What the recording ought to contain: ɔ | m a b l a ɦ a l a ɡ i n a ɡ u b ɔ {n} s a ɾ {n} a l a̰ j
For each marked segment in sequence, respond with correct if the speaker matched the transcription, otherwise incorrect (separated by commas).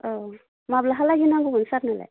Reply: correct, correct